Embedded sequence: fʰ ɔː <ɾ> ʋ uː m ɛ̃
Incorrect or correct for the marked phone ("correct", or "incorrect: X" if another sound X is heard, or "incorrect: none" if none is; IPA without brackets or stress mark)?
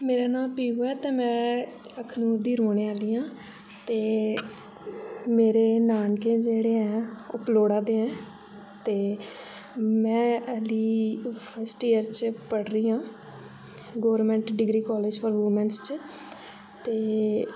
correct